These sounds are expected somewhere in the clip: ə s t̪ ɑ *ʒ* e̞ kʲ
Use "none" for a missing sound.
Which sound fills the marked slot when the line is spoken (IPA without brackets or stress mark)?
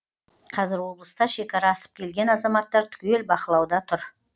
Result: ʃ